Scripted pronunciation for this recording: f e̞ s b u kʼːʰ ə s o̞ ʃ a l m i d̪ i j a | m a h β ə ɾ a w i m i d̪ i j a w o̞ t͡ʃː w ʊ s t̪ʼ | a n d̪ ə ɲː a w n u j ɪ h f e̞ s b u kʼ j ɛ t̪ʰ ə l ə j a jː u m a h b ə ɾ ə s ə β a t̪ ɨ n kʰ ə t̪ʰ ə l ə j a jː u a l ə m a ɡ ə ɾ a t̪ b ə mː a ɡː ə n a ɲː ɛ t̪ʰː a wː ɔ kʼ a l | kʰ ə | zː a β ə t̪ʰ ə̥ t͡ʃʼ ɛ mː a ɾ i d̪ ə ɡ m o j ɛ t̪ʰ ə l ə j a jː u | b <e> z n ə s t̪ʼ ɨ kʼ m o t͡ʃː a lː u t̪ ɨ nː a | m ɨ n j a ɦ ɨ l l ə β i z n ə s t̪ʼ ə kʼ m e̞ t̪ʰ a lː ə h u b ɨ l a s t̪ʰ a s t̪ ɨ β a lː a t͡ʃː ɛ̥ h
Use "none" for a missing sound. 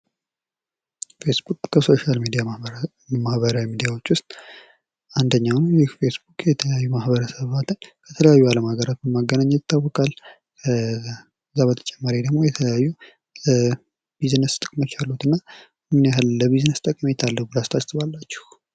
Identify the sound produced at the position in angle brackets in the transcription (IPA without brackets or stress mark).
i